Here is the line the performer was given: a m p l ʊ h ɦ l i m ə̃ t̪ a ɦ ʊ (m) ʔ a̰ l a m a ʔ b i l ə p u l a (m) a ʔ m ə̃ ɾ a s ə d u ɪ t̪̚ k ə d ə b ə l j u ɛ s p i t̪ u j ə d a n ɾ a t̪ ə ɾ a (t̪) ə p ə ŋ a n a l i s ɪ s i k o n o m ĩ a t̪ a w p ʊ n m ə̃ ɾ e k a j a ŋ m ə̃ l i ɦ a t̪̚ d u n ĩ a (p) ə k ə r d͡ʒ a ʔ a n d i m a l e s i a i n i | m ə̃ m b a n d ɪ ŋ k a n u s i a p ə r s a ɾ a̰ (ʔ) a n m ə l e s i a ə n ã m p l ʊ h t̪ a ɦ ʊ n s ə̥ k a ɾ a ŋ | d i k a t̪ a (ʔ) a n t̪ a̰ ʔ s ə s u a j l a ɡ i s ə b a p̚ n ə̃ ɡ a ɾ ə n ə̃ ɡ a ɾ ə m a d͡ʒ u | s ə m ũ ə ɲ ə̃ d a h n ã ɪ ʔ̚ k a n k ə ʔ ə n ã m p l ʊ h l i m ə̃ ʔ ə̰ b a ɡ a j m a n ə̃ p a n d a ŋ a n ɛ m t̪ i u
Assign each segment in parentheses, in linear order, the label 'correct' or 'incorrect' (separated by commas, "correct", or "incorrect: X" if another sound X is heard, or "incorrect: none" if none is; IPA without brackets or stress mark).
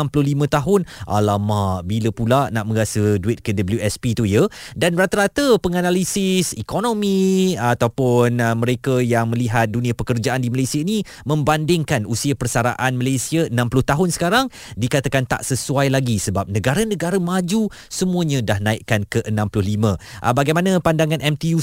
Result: incorrect: n, incorrect: n, correct, correct, correct, incorrect: k